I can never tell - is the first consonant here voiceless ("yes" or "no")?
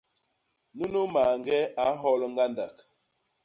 no